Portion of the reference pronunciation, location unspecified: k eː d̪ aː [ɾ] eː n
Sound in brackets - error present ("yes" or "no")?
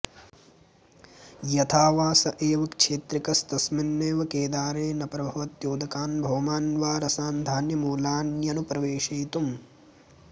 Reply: no